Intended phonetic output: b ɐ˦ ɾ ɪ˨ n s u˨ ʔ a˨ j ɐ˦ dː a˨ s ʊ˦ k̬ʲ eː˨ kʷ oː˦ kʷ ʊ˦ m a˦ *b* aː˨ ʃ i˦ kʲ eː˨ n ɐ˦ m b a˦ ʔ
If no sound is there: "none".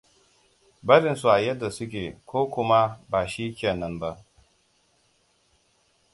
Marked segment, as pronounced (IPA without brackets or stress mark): b